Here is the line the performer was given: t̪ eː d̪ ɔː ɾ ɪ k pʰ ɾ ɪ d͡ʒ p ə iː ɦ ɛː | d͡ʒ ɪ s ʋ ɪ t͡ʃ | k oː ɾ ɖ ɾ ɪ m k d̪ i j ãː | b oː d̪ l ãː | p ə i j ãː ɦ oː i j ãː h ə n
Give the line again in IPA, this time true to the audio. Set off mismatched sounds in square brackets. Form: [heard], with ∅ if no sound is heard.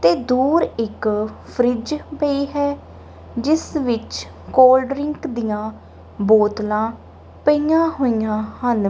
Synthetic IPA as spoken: t̪ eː d̪ [uː] ɾ ɪ k pʰ ɾ ɪ d͡ʒ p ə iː ɦ ɛː | d͡ʒ ɪ s ʋ ɪ t͡ʃ | k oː [l] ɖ ɾ ɪ [ŋ] k d̪ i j ãː | b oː [t̪] l ãː | p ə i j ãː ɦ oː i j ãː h ə n